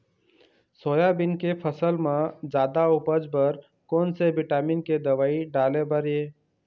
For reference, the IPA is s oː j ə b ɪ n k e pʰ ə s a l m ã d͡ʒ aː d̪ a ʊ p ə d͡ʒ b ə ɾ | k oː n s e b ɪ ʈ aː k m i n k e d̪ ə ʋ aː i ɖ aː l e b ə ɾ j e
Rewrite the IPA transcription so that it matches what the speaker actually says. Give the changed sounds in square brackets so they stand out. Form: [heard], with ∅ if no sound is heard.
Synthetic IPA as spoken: s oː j [a] b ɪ n k e pʰ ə s [ə] l m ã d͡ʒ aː d̪ a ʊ p ə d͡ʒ b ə ɾ | k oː n s e b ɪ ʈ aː [∅] m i n k e d̪ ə ʋ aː i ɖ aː l e b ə ɾ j e